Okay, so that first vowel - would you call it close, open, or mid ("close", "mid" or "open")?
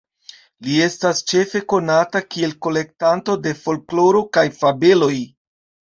close